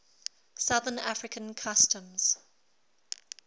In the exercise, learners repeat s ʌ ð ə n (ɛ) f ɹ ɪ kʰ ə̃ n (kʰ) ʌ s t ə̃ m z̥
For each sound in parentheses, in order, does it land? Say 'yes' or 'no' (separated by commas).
no, yes